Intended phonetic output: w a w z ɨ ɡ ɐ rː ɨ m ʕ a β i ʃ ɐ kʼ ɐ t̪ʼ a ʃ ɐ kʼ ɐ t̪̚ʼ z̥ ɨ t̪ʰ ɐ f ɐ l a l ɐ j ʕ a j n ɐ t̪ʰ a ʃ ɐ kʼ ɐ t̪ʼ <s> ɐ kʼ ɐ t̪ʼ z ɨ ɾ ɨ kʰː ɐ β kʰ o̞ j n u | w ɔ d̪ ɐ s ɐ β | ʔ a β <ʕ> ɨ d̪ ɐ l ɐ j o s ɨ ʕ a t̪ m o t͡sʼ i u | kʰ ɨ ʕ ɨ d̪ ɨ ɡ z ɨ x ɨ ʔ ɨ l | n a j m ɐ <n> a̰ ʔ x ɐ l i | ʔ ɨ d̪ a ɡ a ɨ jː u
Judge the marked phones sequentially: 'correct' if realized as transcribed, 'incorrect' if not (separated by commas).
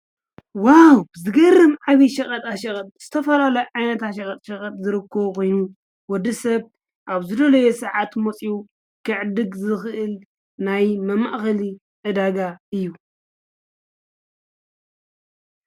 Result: incorrect, incorrect, incorrect